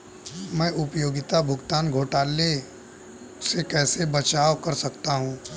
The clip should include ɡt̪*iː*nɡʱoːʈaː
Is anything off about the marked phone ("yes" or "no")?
yes